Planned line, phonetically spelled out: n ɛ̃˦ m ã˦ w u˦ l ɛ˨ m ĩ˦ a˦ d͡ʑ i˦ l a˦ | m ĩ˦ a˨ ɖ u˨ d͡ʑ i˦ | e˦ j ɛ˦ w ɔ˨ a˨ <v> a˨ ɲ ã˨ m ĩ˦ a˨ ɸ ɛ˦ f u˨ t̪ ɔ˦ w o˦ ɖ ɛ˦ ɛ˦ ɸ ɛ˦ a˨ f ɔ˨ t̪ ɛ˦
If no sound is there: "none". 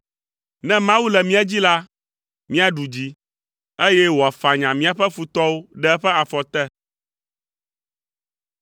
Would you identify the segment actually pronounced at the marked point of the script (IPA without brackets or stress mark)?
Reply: f